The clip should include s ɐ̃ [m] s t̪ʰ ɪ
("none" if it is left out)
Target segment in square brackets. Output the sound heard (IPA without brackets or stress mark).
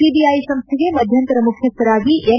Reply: m